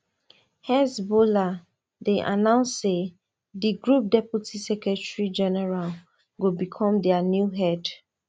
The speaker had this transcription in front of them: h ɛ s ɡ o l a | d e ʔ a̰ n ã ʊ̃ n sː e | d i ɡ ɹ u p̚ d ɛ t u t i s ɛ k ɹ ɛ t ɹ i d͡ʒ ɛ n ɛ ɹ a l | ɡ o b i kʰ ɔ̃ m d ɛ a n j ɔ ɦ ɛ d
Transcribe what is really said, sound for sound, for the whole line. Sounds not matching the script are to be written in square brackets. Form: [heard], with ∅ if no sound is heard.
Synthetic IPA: h ɛ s [b] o l a | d e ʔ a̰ n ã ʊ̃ n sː e | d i ɡ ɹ u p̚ d ɛ [p] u t i s ɛ k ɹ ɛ t ɹ i d͡ʒ ɛ n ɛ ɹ a l | ɡ o b i kʰ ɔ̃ m d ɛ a n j [u] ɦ ɛ d